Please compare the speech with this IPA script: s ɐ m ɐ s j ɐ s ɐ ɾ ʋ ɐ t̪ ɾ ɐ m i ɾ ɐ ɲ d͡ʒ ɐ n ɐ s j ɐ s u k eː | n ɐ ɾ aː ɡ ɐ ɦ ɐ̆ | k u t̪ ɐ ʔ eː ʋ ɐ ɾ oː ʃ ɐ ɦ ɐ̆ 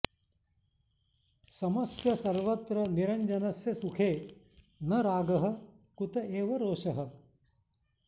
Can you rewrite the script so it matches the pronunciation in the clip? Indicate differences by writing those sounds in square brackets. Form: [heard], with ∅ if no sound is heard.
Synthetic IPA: s ɐ m ɐ s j ɐ s ɐ ɾ ʋ ɐ t̪ ɾ ɐ [n] i ɾ ɐ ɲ d͡ʒ ɐ n ɐ s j ɐ s u [kʰ] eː | n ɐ ɾ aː ɡ ɐ ɦ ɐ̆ | k u t̪ ɐ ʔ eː ʋ ɐ ɾ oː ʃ ɐ ɦ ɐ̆